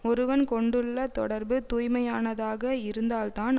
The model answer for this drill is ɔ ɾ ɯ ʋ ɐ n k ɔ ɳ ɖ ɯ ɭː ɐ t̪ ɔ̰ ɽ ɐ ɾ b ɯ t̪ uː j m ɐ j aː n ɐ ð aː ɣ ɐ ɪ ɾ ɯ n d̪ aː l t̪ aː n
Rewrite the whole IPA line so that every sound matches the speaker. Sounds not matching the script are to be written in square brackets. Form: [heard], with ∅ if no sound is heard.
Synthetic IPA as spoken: ɔ ɾ ɯ ʋ ɐ n k ɔ ɳ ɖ ɯ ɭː ɐ t̪ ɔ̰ ɽ ɐ ɾ b ɯ t̪ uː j m ɐ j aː n ɐ ð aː ɣ ɐ ɪ ɾ ɯ n d̪ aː l t̪ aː n